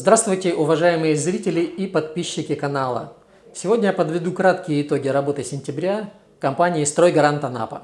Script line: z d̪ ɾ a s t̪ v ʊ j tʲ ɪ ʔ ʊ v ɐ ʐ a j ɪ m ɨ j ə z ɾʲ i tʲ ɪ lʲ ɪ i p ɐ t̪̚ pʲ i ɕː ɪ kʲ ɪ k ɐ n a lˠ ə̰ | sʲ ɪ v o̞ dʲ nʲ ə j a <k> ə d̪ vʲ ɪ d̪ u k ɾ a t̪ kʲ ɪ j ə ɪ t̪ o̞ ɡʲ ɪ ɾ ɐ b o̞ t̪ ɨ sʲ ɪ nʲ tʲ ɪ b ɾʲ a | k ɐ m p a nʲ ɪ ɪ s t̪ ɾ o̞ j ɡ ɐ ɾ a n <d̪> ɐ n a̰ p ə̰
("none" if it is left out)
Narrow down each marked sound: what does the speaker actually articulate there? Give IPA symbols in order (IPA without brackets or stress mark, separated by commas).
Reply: p, t̪